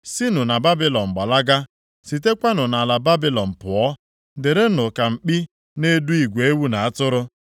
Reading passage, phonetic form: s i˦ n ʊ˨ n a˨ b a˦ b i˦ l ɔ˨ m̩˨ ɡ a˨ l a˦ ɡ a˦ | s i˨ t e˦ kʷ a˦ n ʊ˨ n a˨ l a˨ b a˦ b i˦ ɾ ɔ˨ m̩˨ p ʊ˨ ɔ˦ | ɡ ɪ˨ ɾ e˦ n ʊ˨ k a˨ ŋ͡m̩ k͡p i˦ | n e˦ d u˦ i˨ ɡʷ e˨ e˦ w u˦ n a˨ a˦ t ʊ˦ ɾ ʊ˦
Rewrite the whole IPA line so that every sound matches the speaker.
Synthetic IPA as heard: s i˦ n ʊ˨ n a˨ b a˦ b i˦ l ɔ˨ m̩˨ ɡ͡b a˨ l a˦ ɡ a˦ | s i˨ t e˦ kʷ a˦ n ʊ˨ n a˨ l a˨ b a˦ b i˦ l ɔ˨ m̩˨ p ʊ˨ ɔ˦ | d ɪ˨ ɾ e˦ n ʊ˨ k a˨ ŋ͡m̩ k͡p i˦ | n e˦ d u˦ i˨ ɡʷ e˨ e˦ w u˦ n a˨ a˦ t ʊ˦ ɾ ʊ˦